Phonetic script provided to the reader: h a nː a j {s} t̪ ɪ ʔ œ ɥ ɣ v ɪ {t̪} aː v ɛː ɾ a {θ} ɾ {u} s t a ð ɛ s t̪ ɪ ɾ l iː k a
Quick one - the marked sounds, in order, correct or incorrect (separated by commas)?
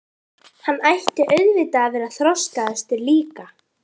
incorrect, correct, correct, incorrect